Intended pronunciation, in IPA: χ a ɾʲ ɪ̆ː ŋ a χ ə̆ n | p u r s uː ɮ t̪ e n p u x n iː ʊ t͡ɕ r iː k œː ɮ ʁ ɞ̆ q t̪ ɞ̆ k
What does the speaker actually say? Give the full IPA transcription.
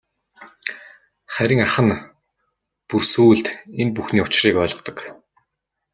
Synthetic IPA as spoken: χ æ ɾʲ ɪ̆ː ŋ a χ ə̆ n | p u r s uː ɮ t̪ e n p u x n iː ʊ t͡ɕ r iː k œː ɮ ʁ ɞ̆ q t̪ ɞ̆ k